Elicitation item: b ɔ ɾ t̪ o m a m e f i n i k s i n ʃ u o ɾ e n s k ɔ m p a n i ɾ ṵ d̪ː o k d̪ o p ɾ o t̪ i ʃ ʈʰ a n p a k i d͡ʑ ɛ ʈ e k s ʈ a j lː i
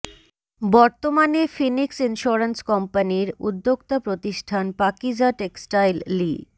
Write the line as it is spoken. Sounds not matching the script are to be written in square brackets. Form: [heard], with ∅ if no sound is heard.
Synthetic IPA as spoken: b ɔ ɾ t̪ o m a [n] e f i n i k s i n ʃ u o ɾ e n s k ɔ m p a n i ɾ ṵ d̪ː o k [t̪] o p ɾ o t̪ i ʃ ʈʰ a n p a k i d͡ʑ [a] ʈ e k s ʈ a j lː i